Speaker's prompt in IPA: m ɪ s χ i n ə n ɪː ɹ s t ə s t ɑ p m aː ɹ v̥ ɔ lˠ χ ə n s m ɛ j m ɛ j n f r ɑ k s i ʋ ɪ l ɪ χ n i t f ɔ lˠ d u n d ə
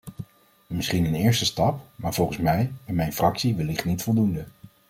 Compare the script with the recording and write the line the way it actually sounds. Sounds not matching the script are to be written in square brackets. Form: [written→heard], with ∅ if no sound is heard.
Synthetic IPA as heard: m ɪ s χ i n ə n ɪː ɹ s t ə s t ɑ p m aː ɹ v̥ ɔ lˠ χ ə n s m ɛ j m ɛ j n f r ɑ k s i ʋ ɪ l ɪ χ n i t f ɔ lˠ d u n d ə